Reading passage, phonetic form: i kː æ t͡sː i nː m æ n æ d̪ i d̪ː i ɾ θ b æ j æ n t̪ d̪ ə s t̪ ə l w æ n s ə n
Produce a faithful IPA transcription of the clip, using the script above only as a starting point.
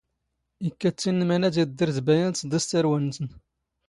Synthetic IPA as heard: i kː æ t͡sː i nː m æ n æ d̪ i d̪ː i ɾ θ b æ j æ n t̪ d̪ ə s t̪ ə ɾ w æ n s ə n